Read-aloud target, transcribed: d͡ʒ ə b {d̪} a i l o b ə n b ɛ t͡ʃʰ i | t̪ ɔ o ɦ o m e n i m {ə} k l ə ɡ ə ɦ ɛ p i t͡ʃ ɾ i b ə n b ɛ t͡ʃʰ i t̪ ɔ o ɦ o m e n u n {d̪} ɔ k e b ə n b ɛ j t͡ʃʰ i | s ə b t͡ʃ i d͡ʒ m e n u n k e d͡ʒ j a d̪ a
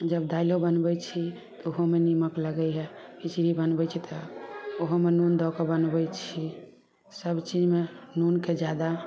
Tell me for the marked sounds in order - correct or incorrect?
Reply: correct, correct, correct

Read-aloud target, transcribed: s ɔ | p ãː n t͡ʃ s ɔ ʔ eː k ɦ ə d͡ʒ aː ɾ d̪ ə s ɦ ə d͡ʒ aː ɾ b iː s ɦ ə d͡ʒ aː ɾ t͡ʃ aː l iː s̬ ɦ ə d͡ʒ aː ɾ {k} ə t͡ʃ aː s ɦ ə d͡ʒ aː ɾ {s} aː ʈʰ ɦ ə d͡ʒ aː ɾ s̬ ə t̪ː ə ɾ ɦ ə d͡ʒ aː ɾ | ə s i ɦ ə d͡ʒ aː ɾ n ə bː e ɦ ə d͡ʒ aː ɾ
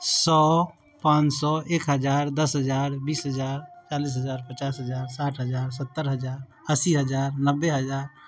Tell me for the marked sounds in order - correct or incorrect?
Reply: incorrect: p, correct

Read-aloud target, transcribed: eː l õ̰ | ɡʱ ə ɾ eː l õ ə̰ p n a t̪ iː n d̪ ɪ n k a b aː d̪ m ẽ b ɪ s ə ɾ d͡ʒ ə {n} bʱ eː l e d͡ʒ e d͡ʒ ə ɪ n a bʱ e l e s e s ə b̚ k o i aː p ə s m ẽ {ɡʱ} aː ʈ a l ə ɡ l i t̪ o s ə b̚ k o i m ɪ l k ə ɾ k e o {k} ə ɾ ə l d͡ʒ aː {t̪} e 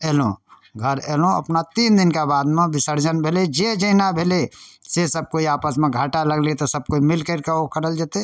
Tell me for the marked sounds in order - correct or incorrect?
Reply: correct, correct, correct, correct

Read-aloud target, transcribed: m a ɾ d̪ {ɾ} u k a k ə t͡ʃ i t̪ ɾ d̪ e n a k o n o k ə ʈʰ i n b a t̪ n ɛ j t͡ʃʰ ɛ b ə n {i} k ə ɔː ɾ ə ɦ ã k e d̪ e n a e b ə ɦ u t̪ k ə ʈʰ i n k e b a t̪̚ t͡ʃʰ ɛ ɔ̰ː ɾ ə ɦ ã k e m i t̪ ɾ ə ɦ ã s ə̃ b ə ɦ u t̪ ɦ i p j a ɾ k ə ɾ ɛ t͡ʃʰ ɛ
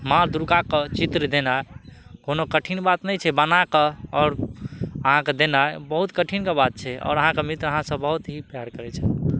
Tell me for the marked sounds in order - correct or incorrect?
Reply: correct, incorrect: a

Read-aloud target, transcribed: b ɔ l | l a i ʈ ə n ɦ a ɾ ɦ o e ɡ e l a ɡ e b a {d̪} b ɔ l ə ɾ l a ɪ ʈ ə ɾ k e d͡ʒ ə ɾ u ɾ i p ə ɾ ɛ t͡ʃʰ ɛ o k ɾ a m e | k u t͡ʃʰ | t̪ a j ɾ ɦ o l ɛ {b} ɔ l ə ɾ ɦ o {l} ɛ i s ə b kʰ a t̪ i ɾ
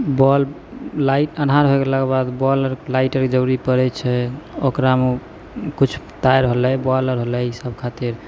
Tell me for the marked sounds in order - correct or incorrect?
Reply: correct, correct, correct

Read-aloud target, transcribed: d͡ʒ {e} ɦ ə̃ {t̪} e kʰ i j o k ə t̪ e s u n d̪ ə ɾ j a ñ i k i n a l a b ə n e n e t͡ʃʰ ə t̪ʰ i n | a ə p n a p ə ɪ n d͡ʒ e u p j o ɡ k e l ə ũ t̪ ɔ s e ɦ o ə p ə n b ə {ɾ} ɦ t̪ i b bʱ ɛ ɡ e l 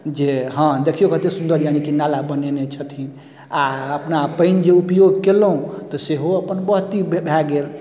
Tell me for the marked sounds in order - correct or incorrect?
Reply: correct, incorrect: d̪, incorrect: none

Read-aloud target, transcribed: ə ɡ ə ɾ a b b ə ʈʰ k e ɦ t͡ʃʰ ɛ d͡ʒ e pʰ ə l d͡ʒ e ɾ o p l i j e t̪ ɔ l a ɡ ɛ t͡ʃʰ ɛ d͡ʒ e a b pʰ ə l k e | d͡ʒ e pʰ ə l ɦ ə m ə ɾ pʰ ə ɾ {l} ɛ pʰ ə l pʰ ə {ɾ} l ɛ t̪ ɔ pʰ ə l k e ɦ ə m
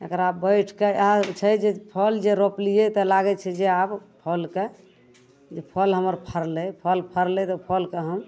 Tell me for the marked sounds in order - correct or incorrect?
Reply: correct, correct

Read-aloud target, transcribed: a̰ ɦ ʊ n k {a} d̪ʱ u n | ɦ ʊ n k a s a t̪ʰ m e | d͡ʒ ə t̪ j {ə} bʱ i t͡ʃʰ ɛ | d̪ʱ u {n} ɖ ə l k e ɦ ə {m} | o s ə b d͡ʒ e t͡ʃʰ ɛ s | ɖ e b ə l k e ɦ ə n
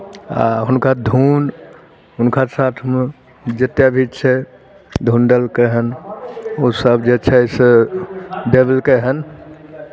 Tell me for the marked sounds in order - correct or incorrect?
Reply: correct, incorrect: a, correct, incorrect: n

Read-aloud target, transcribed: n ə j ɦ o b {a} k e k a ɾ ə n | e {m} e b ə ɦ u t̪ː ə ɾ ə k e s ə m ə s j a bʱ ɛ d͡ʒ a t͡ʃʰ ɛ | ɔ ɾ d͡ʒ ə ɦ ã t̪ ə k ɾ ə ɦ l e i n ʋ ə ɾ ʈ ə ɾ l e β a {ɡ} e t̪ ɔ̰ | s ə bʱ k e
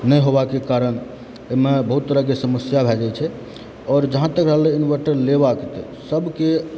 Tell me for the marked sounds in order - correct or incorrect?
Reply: correct, correct, incorrect: k

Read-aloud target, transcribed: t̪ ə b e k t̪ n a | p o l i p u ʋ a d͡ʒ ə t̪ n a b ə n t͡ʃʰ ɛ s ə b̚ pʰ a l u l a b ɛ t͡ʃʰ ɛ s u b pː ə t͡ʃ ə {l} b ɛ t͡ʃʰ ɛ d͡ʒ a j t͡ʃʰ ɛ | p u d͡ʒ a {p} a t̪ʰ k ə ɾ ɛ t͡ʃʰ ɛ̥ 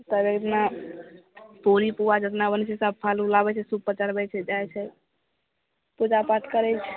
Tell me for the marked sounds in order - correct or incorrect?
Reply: incorrect: ɾ, correct

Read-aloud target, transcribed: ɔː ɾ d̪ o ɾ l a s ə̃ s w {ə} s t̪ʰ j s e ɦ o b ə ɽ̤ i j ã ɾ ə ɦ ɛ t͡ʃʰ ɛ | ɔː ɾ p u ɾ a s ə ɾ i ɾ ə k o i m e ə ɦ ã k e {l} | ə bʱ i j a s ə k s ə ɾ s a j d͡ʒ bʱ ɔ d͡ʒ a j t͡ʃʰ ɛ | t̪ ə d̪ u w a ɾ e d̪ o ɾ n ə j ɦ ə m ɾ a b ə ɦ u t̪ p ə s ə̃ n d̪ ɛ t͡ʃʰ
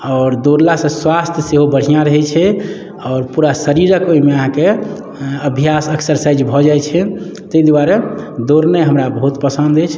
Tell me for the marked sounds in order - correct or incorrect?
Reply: incorrect: a, incorrect: none

